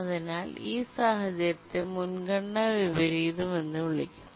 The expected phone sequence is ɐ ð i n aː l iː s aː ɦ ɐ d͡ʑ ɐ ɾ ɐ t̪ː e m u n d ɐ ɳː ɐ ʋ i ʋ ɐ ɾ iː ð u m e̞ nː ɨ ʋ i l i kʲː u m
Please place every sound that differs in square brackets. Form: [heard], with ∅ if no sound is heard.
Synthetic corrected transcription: ɐ ð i n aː l iː s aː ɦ ɐ d͡ʑ ɐ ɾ ɐ t̪ː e m u n [ɡ] ɐ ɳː ɐ ʋ i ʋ ɐ ɾ iː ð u m e̞ nː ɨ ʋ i [ɭ] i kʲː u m